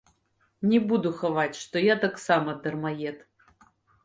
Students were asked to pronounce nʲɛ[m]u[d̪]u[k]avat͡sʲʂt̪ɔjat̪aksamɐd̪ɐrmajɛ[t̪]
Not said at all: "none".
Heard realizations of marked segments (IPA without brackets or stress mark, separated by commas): b, d̪, x, t̪